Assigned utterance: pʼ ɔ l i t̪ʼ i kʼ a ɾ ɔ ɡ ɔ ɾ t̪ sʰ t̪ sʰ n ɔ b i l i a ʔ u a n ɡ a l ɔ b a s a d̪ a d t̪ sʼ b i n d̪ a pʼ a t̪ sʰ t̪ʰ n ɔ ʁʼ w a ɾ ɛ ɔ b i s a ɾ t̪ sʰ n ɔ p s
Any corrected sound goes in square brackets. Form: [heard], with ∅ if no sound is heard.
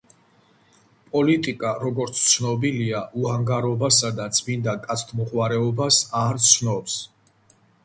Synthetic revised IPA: pʼ ɔ l i t̪ʼ i kʼ a ɾ ɔ ɡ ɔ ɾ t̪ sʰ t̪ sʰ n ɔ b i l i a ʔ u a [ŋ] ɡ a [ɾ] ɔ b a s a d̪ a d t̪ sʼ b i n d̪ a [kʼ] a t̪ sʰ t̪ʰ [m] ɔ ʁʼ w a ɾ ɛ ɔ b [a] s a ɾ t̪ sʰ n ɔ p s